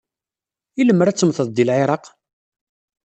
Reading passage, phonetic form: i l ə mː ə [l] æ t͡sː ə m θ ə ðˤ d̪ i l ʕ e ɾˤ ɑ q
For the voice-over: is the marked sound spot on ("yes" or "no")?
no